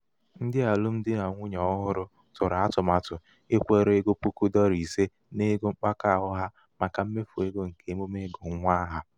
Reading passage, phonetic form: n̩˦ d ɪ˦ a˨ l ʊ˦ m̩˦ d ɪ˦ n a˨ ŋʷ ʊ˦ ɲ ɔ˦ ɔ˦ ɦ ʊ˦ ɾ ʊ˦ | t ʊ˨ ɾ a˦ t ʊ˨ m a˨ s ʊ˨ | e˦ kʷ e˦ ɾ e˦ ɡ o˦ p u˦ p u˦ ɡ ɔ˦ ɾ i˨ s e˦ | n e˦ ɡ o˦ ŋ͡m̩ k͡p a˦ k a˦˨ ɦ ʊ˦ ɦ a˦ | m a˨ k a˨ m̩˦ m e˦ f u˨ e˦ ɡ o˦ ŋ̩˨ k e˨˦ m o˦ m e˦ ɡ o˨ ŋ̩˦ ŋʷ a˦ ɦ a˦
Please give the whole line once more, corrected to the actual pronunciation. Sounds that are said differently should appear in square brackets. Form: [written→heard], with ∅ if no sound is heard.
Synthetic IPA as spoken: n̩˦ d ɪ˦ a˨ l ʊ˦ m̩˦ d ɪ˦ n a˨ ŋʷ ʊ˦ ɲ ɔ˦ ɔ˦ ɦ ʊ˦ ɾ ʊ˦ | t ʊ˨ ɾ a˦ t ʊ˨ m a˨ [s→t] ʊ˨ | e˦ kʷ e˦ ɾ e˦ ɡ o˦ p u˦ [p→k] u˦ [ɡ→d] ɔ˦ ɾ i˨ s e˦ | n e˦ ɡ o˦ ŋ͡m̩ k͡p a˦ k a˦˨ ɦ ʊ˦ ɦ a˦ | m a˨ k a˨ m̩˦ m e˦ f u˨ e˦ ɡ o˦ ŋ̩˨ k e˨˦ m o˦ m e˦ ɡ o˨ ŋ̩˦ ŋʷ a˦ ɦ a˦

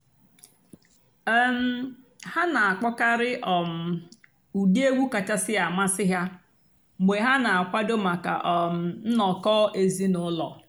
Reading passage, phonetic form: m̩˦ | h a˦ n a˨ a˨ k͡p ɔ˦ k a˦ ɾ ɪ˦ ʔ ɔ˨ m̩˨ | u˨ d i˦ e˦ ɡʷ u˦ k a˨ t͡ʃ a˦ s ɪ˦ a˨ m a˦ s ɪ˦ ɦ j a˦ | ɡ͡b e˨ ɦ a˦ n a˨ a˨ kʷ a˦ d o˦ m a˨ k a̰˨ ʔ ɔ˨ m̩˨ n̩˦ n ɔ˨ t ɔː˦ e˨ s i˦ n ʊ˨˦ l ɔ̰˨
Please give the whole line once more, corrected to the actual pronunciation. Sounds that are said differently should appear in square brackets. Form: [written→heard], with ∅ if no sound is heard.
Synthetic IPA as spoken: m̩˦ | h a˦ n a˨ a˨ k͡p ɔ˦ k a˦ ɾ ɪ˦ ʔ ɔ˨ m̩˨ | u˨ d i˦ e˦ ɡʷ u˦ k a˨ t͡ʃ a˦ s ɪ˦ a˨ m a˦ s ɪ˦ ɦ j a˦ | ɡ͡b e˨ ɦ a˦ n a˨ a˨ kʷ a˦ d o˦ m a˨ k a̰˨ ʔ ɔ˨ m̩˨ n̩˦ n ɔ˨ [t→k] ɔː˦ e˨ [s→z] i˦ n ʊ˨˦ l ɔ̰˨

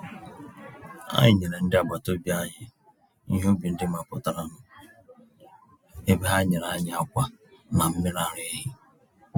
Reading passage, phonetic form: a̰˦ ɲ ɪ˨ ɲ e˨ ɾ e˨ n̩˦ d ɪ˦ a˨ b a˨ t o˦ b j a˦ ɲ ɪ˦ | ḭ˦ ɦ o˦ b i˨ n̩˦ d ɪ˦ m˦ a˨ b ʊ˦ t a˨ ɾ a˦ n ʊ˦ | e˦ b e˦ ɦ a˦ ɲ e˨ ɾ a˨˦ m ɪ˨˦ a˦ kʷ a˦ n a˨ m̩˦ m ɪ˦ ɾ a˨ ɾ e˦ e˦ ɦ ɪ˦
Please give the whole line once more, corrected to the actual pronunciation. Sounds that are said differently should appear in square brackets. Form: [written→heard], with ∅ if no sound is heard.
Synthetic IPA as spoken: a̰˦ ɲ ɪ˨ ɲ e˨ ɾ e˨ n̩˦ d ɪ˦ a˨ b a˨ t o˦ b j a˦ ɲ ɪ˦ | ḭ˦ ɦ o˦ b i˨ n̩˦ d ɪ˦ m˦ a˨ [b→p] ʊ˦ t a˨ ɾ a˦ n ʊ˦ | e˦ b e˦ ɦ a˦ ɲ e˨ ɾ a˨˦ [m→ɲ] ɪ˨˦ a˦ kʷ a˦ n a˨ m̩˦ m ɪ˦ ɾ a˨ ɾ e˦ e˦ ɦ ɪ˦

